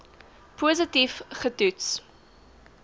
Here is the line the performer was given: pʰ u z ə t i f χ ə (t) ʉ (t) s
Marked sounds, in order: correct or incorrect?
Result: correct, correct

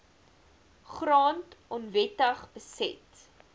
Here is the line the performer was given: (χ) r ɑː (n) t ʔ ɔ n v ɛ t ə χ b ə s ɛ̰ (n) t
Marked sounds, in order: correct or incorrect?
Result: correct, correct, incorrect: none

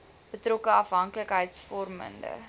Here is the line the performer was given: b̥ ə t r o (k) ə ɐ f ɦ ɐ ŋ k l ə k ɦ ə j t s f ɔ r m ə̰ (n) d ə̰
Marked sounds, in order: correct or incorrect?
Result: correct, correct

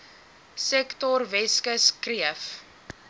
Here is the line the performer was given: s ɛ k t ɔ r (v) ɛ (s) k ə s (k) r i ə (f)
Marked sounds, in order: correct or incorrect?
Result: correct, correct, correct, correct

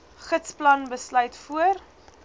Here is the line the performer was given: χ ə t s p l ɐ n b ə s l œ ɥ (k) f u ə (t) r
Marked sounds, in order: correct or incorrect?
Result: incorrect: t, incorrect: none

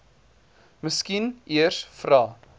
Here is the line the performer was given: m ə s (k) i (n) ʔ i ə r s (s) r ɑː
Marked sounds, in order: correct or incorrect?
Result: correct, correct, incorrect: f

